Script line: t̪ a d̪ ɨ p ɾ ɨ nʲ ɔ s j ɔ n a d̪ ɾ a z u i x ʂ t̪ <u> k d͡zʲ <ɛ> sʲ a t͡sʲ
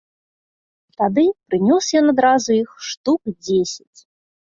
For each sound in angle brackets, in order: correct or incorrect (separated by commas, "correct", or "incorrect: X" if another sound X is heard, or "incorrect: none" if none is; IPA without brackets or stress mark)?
correct, incorrect: e